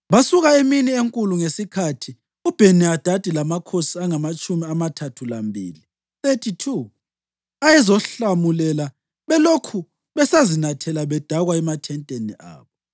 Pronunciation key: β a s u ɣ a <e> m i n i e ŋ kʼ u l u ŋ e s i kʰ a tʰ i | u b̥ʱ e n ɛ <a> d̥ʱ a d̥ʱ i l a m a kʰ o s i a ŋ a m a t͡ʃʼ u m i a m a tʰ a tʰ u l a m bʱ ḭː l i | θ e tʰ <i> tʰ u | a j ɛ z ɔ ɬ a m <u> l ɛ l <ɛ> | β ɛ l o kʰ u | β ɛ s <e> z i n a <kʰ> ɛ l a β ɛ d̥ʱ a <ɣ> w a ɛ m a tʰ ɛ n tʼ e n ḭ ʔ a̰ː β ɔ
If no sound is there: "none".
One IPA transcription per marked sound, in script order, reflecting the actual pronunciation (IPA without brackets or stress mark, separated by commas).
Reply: e, a, i, u, a, a, tʰ, ɣ